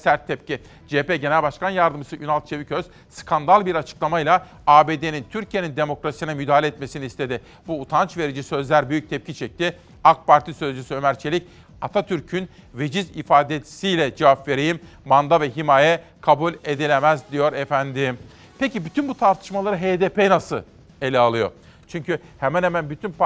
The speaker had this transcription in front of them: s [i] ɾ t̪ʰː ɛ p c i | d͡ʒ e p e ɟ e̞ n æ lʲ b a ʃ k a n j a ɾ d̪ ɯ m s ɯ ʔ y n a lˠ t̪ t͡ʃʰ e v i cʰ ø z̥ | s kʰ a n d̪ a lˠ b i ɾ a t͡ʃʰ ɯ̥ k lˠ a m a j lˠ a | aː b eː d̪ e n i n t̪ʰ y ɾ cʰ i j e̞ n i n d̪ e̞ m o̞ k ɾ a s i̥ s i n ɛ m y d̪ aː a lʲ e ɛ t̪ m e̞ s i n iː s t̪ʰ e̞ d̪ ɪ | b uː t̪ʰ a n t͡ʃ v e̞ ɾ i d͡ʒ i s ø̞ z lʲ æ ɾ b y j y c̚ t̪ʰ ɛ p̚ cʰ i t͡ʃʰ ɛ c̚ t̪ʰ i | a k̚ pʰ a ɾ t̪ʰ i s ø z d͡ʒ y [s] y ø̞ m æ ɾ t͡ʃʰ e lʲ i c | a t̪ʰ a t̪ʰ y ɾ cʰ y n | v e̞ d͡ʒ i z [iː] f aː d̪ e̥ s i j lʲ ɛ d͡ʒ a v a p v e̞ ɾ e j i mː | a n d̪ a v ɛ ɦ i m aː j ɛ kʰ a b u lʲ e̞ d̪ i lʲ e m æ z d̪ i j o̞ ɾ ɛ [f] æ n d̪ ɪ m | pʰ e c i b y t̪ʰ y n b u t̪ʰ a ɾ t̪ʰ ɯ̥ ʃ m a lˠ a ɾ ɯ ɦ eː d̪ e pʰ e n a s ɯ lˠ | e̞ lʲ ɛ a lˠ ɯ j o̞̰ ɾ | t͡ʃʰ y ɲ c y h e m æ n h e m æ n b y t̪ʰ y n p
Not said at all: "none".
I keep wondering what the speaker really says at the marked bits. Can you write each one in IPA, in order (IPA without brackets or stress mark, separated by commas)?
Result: æ, s, i, f